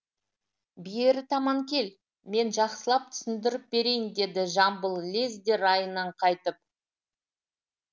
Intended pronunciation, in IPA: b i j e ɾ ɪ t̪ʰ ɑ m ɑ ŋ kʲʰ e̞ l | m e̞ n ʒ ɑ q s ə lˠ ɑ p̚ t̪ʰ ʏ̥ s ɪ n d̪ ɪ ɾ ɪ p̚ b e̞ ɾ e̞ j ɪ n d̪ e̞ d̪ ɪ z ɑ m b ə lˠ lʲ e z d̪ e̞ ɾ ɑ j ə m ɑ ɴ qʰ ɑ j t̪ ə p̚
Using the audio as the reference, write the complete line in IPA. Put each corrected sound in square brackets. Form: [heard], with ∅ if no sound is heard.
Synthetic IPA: b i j e ɾ ɪ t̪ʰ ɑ m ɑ ŋ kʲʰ e̞ l | m e̞ n ʒ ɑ q s ə lˠ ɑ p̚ t̪ʰ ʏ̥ s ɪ n d̪ ɪ ɾ ɪ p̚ b e̞ ɾ e̞ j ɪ n d̪ e̞ d̪ ɪ [ʒ] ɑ m b ə lˠ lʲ e z d̪ e̞ ɾ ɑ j ə [n] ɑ ɴ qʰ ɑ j t̪ ə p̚

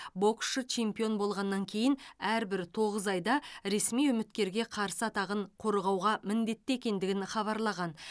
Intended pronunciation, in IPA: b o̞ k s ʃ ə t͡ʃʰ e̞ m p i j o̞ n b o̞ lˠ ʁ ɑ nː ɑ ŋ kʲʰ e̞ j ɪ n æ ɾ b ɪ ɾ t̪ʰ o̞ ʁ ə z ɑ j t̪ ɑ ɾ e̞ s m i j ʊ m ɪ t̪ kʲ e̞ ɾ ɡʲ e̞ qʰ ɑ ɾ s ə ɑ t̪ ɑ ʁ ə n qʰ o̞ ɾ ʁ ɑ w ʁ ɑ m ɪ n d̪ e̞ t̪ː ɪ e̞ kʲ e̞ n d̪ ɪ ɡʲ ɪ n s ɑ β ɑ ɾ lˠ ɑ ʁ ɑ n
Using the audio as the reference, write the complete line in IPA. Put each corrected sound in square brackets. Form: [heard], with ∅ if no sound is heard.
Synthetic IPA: b o̞ k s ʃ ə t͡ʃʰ e̞ m p i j o̞ n b o̞ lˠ ʁ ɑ nː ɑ ŋ kʲʰ e̞ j ɪ n æ ɾ b ɪ ɾ t̪ʰ o̞ ʁ ə z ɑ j [d̪] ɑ ɾ e̞ s m i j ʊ m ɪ t̪ kʲ e̞ ɾ ɡʲ e̞ qʰ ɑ ɾ s ə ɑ t̪ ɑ ʁ ə [ɴ] qʰ o̞ ɾ ʁ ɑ w ʁ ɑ m ɪ n d̪ e̞ t̪ː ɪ e̞ kʲ e̞ n d̪ ɪ ɡʲ ɪ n [χ] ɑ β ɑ ɾ lˠ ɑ ʁ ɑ n

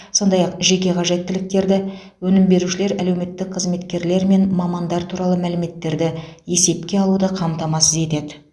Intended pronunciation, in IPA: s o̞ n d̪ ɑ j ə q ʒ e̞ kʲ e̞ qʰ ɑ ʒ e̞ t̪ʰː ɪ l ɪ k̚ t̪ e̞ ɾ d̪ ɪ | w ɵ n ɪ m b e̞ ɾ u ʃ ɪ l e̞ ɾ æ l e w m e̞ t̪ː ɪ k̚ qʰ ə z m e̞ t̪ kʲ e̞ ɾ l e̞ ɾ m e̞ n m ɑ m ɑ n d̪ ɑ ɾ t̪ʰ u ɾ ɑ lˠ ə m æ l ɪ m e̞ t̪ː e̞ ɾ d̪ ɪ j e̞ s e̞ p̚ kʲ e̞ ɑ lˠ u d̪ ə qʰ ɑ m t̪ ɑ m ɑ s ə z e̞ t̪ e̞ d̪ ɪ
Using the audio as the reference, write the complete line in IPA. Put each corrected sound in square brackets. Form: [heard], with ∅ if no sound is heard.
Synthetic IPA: s o̞ n d̪ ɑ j [ɑ] q ʒ e̞ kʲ e̞ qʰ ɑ ʒ e̞ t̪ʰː ɪ l ɪ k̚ t̪ e̞ ɾ d̪ ɪ | w ɵ n ɪ m b e̞ ɾ u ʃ ɪ l e̞ ɾ æ l e w m e̞ t̪ː ɪ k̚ qʰ ə z m e̞ t̪ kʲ e̞ ɾ l e̞ ɾ m e̞ n m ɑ m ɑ n d̪ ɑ ɾ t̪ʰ u ɾ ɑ lˠ ə m æ l ɪ m e̞ t̪ː e̞ ɾ d̪ ɪ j e̞ s e̞ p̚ kʲ e̞ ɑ lˠ u d̪ ə qʰ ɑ m t̪ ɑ m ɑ s ə z e̞ t̪ e̞ d̪ ɪ

